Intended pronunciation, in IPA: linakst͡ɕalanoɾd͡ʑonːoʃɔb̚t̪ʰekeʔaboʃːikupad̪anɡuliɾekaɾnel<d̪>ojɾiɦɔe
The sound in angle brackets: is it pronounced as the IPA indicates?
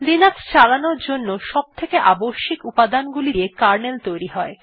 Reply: no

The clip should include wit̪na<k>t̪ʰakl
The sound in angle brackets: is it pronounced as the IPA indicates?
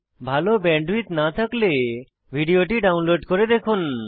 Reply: no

